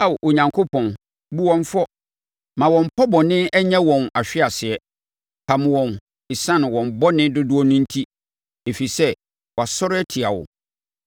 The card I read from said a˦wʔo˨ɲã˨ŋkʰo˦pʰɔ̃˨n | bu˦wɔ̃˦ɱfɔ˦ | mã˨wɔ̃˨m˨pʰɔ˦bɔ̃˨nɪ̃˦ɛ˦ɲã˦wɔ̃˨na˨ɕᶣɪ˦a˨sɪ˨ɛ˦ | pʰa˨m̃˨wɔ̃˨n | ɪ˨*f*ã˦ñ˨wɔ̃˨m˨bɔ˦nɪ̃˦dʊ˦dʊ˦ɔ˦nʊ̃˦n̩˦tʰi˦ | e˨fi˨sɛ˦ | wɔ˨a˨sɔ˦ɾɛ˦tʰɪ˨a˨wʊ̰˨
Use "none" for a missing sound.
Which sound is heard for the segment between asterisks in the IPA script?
s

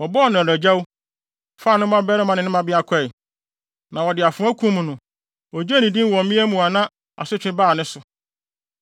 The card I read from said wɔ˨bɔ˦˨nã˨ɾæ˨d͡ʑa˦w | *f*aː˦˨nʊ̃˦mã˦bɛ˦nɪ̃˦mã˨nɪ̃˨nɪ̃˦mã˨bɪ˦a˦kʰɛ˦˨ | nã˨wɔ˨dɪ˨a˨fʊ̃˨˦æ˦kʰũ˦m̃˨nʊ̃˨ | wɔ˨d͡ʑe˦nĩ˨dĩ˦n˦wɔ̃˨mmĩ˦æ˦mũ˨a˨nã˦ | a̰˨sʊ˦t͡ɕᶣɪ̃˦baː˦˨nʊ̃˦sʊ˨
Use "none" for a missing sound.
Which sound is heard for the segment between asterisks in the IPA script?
f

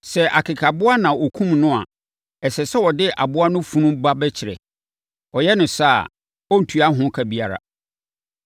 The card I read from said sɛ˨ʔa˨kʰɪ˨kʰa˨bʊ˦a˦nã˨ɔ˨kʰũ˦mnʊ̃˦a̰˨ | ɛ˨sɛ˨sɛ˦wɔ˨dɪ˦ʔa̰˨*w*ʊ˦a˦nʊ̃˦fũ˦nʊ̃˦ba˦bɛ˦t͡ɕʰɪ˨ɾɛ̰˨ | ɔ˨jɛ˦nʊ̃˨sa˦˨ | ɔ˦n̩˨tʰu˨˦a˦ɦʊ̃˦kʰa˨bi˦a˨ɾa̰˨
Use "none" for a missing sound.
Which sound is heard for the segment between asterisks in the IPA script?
b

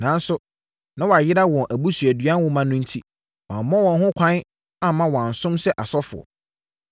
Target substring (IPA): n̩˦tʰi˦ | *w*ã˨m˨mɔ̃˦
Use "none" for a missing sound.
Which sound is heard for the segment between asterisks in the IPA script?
w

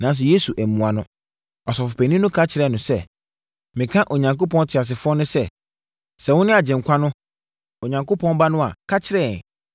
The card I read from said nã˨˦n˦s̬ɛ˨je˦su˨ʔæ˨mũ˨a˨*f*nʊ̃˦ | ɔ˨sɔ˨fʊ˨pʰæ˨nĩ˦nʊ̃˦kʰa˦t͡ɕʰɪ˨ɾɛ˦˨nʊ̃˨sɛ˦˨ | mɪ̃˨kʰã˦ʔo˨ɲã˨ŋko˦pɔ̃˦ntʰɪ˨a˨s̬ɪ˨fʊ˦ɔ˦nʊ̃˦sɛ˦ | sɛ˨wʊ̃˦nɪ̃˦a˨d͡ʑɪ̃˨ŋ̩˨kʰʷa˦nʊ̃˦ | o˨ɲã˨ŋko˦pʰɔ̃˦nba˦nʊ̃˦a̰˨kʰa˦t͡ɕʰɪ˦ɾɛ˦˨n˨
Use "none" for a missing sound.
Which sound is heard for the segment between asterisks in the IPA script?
none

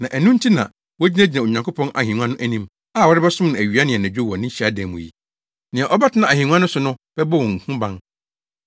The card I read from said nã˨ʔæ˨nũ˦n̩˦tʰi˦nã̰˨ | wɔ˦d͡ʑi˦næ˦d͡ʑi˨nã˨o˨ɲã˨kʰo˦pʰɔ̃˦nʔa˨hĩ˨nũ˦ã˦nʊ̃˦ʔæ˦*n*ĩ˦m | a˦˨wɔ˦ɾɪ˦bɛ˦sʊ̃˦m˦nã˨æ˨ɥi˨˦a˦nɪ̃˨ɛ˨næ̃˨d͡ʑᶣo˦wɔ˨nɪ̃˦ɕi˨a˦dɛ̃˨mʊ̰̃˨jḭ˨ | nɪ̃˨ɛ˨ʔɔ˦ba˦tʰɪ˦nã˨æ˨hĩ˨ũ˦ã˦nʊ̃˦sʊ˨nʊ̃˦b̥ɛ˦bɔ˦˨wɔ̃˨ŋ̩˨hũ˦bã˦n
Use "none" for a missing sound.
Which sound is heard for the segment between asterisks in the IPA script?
n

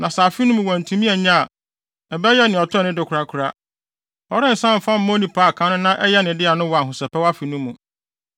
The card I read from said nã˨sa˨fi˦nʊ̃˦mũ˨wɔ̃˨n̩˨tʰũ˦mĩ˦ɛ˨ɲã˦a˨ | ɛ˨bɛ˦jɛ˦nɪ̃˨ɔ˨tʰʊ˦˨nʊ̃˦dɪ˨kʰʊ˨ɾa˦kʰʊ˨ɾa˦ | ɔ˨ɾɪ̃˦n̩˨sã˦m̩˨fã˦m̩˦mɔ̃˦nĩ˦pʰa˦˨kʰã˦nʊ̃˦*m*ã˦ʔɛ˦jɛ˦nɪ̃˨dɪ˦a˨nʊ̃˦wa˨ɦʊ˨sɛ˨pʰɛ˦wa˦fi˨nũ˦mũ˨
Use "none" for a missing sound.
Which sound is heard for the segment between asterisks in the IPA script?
n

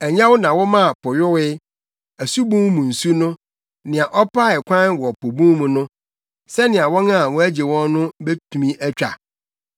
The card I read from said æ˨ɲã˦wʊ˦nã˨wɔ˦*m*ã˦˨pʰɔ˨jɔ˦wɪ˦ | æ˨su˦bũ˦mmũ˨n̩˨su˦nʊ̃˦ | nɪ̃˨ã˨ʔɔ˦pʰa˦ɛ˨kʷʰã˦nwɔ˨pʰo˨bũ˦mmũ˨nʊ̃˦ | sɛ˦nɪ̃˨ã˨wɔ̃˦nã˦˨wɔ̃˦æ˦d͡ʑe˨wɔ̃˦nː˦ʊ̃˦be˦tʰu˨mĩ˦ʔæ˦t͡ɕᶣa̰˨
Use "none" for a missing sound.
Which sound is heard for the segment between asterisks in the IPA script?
m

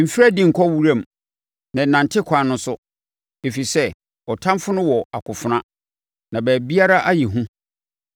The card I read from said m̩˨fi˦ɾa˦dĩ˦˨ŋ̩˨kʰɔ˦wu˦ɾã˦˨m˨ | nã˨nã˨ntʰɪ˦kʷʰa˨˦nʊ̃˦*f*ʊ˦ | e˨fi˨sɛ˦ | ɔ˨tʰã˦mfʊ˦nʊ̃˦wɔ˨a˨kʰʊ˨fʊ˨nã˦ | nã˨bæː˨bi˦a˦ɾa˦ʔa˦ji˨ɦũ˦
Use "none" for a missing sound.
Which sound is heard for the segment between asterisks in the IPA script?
s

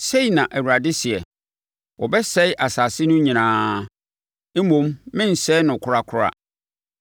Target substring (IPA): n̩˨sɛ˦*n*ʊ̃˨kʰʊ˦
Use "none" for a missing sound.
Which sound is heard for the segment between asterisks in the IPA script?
n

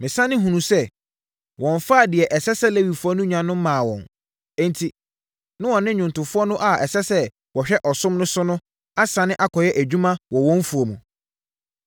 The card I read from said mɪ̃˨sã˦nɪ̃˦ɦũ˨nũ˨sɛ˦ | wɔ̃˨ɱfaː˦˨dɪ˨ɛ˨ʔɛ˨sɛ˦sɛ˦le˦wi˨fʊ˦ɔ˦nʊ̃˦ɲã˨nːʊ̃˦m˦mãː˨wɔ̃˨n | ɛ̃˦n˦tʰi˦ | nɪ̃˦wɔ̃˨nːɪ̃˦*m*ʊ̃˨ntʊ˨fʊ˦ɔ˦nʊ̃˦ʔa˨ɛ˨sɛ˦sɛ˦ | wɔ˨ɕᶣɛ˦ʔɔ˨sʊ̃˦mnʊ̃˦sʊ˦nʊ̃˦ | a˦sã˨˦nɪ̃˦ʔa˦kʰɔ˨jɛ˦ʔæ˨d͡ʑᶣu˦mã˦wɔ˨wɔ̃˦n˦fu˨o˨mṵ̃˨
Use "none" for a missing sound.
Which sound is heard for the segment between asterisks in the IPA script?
ɲ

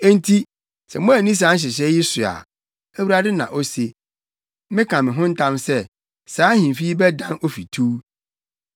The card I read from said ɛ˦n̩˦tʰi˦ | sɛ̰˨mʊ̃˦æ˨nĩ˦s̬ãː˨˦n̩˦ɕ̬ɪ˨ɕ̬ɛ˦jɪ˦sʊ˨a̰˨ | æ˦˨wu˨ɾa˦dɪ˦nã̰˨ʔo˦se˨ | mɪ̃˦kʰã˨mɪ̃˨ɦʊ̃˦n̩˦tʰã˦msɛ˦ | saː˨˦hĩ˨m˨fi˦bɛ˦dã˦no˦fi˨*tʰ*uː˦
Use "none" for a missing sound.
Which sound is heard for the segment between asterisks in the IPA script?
tʰ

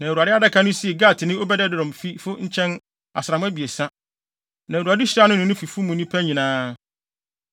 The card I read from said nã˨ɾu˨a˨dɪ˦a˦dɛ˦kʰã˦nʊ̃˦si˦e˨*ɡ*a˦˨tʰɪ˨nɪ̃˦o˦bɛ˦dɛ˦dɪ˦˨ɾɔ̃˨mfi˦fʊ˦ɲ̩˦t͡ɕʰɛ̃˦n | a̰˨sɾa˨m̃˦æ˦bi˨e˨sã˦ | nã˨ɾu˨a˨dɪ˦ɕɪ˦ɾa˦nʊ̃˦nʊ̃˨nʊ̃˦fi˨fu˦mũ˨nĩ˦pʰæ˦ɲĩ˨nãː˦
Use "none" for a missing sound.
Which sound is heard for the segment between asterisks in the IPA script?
ɡ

